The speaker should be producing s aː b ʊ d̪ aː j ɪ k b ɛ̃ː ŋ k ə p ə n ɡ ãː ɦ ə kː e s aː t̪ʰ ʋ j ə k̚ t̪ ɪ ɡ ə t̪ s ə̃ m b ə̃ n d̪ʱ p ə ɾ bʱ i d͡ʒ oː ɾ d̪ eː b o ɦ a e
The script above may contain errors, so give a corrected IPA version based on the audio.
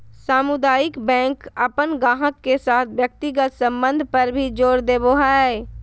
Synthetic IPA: s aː m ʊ d̪ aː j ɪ k b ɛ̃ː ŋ k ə p ə n ɡ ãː ɦ ə kː e s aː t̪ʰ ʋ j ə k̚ t̪ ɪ ɡ ə t̪ s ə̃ m b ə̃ n d̪ʱ p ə ɾ bʱ i d͡ʒ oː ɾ d̪ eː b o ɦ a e

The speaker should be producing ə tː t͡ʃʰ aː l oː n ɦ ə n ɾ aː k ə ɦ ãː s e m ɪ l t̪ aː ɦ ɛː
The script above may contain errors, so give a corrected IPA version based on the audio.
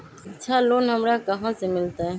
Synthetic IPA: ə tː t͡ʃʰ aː l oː n ɦ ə m ɾ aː k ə ɦ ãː s e m ɪ l t̪ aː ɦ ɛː

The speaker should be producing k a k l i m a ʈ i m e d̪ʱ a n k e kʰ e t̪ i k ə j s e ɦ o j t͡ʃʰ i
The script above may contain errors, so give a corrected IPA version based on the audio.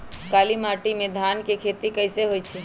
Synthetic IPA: k a l i m a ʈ i m e d̪ʱ a n k e kʰ e t̪ i k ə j s e ɦ o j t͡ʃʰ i

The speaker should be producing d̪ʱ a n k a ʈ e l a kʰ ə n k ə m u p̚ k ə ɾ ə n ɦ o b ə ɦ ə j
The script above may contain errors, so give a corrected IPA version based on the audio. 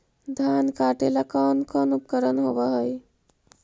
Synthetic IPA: d̪ʱ a n k a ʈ e l a k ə n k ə n u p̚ k ə ɾ ə n ɦ o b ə ɦ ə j

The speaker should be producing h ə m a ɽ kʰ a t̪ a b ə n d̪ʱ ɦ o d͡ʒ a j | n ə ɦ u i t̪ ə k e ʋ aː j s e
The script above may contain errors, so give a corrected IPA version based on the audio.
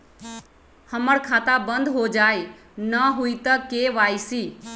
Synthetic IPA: h ə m ə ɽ kʰ a t̪ a b ə n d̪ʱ ɦ o d͡ʒ a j | n ə ɦ u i t̪ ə k e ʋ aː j s i

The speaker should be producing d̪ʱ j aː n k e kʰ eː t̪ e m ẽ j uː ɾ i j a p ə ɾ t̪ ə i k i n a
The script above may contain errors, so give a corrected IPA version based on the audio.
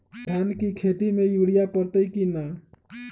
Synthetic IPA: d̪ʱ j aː n k i kʰ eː t̪ i m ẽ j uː ɽ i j a p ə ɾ t̪ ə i k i n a

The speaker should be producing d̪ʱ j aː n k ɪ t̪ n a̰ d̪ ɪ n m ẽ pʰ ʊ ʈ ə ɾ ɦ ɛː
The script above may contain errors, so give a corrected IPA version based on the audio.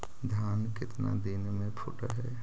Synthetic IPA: d̪ʱ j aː n k ɪ t̪ n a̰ d̪ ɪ n m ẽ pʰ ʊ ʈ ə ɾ ɦ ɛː

